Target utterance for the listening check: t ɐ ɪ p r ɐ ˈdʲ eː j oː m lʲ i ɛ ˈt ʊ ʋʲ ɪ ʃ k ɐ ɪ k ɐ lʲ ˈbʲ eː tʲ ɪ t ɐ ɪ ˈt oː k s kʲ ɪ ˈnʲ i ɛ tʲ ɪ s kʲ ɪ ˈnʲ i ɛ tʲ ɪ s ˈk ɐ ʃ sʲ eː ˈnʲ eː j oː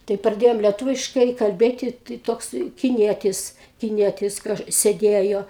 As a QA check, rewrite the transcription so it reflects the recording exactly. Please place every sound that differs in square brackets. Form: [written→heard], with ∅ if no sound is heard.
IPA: t ɐ ɪ p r ɐ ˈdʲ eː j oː m lʲ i ɛ ˈt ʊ ʋʲ ɪ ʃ k ɐ ɪ k ɐ lʲ ˈbʲ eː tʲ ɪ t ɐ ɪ ˈt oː k s kʲ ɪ ˈnʲ i ɛ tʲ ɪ s kʲ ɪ ˈnʲ i ɛ tʲ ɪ s ˈk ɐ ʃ sʲ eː [ˈnʲ→ˈdʲ] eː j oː